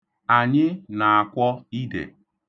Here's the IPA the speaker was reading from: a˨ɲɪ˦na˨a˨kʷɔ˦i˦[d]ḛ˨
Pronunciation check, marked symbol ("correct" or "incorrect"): correct